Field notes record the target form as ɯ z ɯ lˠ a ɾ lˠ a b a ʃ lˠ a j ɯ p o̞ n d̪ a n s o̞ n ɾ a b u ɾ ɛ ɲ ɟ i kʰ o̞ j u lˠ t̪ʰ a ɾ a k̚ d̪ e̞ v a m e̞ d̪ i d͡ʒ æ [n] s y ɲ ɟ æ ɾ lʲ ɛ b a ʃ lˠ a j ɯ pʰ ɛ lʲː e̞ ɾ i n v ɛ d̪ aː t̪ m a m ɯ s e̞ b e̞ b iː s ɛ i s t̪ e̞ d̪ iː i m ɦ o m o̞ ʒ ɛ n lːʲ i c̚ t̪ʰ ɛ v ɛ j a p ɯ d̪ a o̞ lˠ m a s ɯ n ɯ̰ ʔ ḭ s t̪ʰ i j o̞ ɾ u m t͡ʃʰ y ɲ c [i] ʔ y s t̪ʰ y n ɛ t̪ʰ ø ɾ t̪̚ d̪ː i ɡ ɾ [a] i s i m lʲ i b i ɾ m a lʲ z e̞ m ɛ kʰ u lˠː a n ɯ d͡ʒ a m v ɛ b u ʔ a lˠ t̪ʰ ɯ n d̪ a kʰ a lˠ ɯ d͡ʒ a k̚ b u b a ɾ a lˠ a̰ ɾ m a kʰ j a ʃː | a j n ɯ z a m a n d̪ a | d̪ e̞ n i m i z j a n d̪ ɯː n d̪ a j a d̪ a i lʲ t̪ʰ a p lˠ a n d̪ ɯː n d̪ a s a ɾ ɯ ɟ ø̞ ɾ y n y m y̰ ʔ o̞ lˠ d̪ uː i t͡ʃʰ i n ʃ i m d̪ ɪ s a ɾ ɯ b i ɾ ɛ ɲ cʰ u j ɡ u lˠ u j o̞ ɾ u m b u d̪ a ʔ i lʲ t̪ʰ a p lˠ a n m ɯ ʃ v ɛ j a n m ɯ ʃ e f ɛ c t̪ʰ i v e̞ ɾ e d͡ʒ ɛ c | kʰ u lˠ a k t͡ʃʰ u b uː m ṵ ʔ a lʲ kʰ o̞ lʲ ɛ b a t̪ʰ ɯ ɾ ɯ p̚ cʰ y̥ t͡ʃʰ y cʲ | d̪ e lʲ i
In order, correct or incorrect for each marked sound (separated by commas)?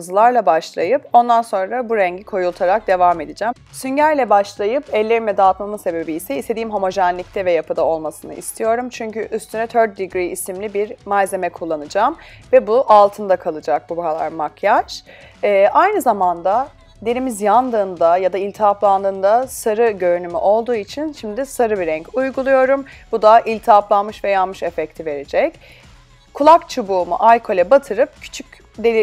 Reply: incorrect, incorrect, incorrect